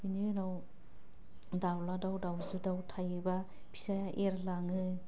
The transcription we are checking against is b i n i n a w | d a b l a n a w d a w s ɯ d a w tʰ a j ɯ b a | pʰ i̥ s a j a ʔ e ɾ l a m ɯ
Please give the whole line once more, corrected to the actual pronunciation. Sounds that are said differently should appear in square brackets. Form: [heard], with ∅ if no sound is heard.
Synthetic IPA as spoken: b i n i n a w | d a [w] l a [d] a w d a w [z] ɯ d a w tʰ a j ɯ b a | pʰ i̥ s a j a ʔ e ɾ l a [ŋ] ɯ